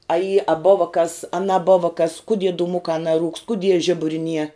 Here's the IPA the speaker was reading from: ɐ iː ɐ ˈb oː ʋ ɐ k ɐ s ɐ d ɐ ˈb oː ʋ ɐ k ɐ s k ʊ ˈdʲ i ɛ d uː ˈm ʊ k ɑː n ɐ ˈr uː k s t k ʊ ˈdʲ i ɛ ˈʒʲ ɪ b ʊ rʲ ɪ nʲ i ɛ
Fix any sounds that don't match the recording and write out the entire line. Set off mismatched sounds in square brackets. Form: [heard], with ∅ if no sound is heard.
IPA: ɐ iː ɐ ˈb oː ʋ ɐ k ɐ s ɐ [n] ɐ ˈb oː ʋ ɐ k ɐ s k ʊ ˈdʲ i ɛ d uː ˈm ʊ k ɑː n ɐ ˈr uː k s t k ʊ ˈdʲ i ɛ ˈʒʲ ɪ b ʊ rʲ ɪ nʲ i ɛ